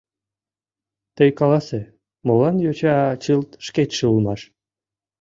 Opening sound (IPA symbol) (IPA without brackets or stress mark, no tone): t̪